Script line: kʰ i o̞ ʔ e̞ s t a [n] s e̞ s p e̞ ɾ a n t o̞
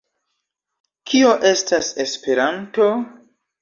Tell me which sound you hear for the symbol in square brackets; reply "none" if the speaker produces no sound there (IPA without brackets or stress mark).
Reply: none